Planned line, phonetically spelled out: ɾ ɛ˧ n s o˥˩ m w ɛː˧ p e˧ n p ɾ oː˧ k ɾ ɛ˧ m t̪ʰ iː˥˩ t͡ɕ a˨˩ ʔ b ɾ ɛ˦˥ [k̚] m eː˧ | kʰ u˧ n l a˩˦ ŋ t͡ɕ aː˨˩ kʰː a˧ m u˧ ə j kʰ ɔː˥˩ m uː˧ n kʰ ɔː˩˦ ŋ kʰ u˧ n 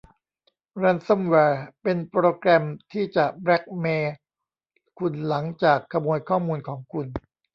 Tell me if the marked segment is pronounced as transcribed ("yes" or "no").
yes